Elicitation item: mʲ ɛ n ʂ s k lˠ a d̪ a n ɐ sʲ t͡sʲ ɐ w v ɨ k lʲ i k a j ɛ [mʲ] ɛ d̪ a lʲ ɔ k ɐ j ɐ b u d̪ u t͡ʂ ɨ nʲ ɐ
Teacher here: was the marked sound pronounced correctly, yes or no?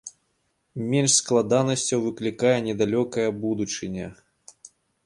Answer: no